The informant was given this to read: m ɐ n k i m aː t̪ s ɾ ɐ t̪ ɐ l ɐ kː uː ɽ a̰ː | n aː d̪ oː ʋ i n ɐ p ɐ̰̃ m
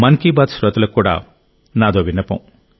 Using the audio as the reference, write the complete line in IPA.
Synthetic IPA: m ɐ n k i b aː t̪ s ɾ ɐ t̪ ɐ l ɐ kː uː ɽ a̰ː | n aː d̪ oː ʋ i n ɐ p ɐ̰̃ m